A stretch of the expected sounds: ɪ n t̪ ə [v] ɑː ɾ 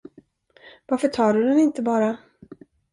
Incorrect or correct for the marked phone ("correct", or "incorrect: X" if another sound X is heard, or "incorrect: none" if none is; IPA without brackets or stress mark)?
incorrect: b